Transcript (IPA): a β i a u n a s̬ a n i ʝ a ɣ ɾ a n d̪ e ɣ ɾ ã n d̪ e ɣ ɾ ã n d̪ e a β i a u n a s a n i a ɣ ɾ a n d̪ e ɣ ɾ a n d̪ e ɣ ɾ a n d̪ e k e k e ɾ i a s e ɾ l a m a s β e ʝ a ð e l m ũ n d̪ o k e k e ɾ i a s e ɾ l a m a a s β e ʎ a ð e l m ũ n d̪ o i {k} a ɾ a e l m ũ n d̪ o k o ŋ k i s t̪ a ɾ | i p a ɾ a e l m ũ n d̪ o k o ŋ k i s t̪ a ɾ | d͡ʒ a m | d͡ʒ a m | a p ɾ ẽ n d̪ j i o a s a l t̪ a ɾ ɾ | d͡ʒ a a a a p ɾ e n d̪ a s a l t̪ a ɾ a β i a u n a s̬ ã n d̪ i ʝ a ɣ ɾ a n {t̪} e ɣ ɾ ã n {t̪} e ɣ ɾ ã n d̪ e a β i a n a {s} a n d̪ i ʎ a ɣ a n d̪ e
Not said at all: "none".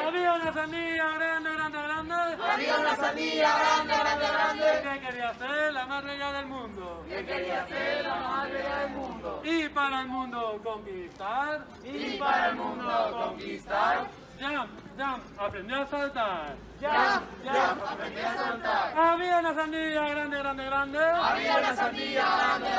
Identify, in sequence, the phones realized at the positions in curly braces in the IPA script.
p, d̪, d̪, s

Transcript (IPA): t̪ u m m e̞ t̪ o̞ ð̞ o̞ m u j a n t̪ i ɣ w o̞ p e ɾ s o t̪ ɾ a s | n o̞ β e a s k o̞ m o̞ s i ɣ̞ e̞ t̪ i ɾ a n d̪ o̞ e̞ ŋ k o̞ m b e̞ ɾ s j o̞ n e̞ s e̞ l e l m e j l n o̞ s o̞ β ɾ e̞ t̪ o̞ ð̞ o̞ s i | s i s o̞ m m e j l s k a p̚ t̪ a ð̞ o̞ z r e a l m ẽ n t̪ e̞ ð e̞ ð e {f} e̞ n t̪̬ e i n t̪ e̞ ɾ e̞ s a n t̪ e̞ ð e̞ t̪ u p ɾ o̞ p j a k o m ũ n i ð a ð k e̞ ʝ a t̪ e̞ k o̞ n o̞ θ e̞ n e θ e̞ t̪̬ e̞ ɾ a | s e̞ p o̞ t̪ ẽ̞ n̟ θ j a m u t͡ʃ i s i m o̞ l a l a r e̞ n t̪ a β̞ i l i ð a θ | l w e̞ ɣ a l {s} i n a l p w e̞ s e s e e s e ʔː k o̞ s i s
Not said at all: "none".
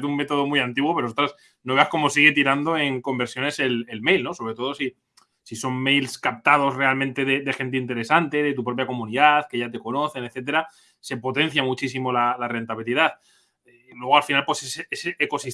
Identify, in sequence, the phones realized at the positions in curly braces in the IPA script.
x, f

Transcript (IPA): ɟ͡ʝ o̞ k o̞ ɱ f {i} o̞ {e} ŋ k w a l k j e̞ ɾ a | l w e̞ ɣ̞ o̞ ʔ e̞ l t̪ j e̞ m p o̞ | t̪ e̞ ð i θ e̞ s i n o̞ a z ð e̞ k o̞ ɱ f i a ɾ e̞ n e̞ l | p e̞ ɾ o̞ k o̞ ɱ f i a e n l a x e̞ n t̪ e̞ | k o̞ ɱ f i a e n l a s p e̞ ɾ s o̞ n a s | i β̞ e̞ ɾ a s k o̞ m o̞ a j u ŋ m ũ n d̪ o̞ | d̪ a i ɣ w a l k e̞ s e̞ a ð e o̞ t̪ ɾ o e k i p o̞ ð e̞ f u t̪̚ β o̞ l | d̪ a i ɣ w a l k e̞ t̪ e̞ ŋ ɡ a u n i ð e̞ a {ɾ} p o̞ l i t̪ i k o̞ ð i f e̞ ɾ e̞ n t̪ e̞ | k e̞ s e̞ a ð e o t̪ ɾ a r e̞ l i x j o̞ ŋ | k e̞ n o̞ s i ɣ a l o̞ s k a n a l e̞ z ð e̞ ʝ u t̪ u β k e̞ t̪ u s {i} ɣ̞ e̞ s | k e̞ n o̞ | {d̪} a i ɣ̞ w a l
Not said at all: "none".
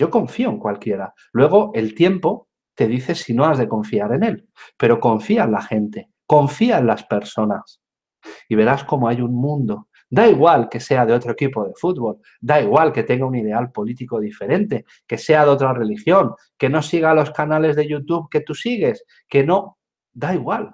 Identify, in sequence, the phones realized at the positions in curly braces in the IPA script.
i, e, l, i, d̪

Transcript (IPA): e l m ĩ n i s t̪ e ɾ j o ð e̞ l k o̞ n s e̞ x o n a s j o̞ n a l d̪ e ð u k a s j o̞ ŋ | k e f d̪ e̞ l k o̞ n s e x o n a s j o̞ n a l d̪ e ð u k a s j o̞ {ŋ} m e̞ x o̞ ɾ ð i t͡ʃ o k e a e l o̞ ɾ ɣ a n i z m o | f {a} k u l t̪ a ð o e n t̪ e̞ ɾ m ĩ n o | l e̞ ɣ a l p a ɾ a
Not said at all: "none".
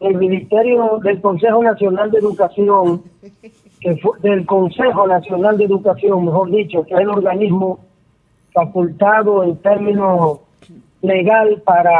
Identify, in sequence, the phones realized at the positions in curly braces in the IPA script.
ŋ, a

